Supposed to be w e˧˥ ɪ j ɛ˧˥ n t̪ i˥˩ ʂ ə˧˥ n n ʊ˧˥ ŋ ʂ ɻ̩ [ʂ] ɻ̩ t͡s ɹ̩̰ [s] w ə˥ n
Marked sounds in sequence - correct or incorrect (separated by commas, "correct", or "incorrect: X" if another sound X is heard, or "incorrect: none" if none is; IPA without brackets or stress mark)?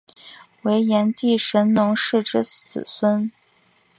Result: incorrect: ʈ͡ʂ, correct